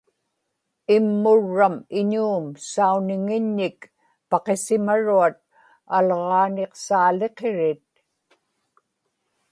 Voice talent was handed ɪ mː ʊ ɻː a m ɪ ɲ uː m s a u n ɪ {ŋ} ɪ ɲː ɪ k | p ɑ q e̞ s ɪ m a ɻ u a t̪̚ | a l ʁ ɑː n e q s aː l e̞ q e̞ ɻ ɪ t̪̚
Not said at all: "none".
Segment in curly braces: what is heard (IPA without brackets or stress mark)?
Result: ŋ